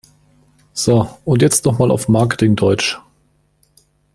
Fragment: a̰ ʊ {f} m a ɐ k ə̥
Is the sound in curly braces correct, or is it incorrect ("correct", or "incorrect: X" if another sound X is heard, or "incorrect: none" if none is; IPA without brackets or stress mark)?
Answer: correct